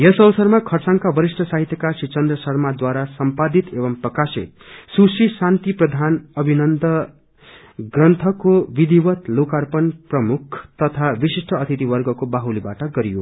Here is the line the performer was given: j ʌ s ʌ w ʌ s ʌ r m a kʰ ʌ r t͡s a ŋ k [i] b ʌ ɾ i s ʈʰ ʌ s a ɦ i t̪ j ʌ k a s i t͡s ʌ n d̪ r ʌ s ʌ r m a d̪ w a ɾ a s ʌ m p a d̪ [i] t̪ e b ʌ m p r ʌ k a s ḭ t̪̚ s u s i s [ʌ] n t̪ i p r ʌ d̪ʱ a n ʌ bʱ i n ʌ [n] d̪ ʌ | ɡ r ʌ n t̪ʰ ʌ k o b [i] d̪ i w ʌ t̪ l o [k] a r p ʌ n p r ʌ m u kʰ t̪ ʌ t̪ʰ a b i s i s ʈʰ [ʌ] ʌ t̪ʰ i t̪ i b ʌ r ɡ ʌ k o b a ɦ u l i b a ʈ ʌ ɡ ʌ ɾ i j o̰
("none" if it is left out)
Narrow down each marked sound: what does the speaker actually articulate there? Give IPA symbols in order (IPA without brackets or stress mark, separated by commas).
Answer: a, i, a, n, i, k, ʌ